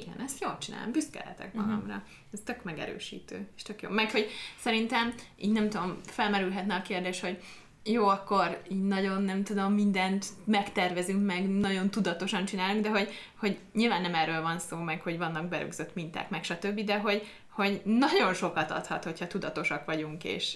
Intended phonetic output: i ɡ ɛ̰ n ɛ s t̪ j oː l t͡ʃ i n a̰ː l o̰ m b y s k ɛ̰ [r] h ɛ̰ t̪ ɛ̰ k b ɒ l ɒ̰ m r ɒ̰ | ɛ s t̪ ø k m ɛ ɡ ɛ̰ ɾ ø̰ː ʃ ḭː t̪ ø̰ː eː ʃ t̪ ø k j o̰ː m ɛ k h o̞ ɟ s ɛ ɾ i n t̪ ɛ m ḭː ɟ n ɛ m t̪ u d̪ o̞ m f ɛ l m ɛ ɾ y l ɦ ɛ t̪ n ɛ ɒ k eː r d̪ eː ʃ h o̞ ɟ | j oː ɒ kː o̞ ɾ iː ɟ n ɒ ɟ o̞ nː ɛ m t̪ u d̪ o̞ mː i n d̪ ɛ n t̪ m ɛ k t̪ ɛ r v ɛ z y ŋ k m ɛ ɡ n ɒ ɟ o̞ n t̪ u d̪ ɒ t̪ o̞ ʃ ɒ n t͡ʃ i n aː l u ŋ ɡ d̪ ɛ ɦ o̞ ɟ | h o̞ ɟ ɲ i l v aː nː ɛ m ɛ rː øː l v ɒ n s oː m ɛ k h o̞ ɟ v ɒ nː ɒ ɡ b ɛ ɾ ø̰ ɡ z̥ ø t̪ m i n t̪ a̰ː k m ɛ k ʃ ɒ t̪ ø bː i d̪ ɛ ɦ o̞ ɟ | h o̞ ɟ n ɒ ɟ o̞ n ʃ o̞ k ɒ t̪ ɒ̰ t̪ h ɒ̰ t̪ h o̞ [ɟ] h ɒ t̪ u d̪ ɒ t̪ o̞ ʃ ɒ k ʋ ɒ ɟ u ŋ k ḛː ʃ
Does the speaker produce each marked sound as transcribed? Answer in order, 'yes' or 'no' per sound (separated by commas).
no, no